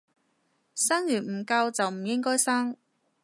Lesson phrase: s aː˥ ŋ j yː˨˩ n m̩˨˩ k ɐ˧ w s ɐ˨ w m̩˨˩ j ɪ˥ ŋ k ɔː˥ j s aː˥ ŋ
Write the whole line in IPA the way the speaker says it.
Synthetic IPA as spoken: s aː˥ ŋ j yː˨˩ n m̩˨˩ k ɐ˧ w t͡s ɐ˨ w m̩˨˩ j ɪ˥ ŋ k ɔː˥ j s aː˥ ŋ

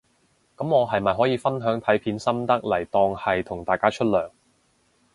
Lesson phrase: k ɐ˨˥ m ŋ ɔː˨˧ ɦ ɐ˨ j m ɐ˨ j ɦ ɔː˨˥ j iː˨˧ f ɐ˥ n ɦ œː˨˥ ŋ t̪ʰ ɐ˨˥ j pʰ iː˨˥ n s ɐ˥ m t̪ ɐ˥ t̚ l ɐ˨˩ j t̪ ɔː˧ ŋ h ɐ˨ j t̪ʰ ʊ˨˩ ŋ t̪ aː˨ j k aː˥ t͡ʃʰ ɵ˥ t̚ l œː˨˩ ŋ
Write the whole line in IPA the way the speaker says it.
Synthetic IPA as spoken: k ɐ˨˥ m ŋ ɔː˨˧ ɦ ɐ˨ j m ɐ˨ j ɦ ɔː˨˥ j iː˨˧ f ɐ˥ n ɦ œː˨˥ ŋ t̪ʰ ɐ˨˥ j pʰ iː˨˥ n s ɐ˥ m t̪ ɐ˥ k̚ l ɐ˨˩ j t̪ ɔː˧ ŋ h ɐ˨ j t̪ʰ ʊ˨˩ ŋ t̪ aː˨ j k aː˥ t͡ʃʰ ɵ˥ t̚ l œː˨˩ ŋ

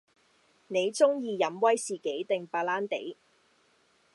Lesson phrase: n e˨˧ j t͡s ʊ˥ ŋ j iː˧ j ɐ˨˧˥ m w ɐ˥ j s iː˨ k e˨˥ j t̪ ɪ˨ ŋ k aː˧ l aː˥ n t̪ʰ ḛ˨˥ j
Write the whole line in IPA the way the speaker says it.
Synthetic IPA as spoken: n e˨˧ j t͡s ʊ˥ ŋ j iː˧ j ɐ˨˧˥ m w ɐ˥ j s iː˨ k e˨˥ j t̪ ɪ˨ ŋ p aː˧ l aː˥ n t̪ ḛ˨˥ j

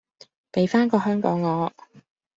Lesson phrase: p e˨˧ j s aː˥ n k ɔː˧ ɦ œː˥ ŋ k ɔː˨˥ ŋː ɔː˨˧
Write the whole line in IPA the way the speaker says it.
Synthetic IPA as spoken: p e˨˧ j f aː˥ n k ɔː˧ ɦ œː˥ ŋ k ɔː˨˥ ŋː ɔː˨˧

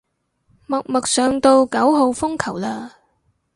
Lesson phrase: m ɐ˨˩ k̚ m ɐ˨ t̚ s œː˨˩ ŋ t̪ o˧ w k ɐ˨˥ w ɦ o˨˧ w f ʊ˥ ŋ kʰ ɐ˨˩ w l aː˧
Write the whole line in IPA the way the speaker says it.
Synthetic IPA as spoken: m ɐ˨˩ k̚ m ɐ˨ k̚ s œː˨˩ ŋ t̪ o˧ w k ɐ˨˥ w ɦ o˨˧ w f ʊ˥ ŋ kʰ ɐ˨˩ w l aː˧

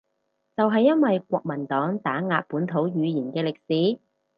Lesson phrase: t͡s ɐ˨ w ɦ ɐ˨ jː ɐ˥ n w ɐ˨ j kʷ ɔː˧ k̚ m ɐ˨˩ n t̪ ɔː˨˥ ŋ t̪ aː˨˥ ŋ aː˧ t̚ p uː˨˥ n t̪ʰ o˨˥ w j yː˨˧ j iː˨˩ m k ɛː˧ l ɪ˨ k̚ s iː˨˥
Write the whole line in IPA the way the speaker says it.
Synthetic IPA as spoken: t͡s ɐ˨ w ɦ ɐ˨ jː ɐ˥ n w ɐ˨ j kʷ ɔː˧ k̚ m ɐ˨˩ n t̪ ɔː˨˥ ŋ t̪ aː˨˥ ŋ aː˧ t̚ p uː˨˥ n t̪ʰ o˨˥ w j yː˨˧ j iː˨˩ n k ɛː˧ l ɪ˨ k̚ s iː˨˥

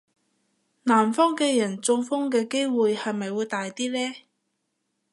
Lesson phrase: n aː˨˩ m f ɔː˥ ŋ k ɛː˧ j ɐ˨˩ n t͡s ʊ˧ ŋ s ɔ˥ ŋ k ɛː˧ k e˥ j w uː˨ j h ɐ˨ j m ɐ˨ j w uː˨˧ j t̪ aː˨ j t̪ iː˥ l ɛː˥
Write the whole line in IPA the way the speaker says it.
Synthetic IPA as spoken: n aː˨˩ m f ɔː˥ ŋ k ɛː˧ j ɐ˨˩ n t͡s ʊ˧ ŋ f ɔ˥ ŋ k ɛː˧ k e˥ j w uː˨ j h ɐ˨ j m ɐ˨ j w uː˨˧ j t̪ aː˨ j t̪ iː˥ l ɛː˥

